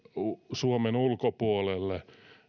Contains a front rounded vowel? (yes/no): no